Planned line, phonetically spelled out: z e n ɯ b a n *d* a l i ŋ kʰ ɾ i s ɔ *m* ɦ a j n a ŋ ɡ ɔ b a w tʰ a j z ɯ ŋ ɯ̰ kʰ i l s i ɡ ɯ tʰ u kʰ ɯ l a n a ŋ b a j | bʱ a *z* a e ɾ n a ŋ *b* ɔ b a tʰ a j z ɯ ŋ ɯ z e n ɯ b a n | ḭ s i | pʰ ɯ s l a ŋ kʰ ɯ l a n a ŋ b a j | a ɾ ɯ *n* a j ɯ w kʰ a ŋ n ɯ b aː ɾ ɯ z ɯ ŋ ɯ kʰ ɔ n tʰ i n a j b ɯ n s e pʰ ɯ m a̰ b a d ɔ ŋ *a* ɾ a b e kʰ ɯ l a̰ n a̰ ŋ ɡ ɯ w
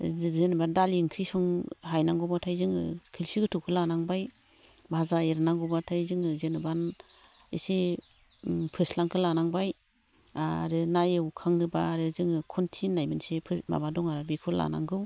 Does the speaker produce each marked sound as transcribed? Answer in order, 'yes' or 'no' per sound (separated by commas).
yes, no, yes, no, yes, yes